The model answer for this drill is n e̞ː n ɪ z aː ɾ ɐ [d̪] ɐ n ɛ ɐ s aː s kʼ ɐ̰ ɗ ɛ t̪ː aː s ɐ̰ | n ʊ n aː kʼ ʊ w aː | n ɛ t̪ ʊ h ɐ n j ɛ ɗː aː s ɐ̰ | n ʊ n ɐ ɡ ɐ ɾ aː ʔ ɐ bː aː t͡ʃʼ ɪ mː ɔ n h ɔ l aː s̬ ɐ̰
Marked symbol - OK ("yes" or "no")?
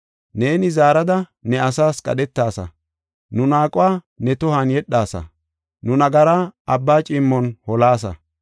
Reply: yes